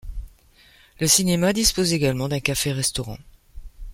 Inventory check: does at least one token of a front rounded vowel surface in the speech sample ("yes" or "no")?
no